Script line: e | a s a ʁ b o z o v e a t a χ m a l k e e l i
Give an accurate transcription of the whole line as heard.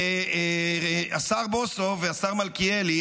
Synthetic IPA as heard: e | a s a ʁ b o s o v e a s a ʁ m a l k i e l i